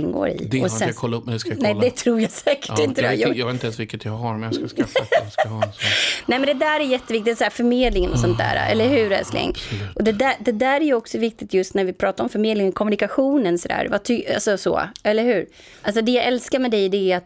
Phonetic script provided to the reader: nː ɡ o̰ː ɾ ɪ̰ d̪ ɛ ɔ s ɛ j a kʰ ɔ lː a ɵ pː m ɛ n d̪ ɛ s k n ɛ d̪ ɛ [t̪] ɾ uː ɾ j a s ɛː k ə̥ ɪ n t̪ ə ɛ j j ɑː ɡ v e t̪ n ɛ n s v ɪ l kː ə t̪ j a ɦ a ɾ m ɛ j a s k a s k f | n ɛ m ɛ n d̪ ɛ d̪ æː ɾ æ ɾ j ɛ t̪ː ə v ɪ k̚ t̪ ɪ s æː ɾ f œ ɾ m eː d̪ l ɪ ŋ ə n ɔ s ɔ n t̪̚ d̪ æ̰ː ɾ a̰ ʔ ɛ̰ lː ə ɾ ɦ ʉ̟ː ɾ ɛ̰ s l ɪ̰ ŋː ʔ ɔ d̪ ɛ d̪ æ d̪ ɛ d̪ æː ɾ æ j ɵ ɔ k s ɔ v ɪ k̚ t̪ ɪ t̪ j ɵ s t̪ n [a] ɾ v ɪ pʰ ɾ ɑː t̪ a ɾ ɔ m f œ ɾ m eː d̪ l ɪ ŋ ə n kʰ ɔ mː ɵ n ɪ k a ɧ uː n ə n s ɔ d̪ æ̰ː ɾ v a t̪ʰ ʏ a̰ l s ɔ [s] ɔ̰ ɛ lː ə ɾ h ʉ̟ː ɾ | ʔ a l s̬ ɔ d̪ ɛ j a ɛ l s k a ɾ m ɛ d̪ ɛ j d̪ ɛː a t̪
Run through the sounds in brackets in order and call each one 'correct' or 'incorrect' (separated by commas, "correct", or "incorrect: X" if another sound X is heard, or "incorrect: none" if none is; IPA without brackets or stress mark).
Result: incorrect: t̪ʰ, incorrect: æ, correct